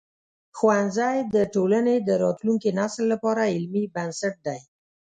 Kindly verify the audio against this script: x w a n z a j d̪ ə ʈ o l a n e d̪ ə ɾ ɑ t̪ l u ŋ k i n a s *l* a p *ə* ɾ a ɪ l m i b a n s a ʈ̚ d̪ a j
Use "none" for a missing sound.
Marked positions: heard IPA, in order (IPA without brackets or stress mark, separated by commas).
lː, ɑ